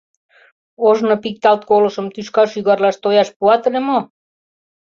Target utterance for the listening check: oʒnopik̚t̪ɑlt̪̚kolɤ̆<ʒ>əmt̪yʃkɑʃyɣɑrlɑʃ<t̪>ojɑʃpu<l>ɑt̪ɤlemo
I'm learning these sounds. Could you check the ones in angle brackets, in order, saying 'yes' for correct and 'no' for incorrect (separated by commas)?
no, yes, no